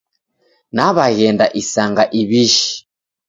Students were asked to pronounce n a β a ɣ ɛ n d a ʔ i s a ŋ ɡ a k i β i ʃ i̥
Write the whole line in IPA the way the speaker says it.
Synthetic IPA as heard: n a β a ɣ ɛ n d a ʔ i s a ŋ ɡ a ʔ i β i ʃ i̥